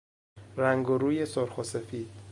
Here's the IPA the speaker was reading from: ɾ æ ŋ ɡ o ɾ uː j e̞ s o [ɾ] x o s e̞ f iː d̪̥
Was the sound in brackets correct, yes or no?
yes